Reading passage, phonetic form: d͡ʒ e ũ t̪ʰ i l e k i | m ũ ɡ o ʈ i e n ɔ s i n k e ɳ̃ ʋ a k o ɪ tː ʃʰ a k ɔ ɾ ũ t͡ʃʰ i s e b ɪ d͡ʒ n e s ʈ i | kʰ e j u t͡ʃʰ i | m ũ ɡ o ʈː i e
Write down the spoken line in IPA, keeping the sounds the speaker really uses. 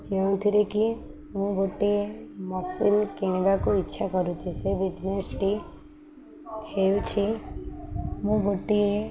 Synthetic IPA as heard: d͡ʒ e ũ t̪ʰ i ɾ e k i | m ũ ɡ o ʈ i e m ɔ s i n k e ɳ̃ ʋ a k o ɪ tː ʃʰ a k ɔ ɾ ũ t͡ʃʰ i s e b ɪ d͡ʒ n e s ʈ i | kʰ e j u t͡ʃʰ i | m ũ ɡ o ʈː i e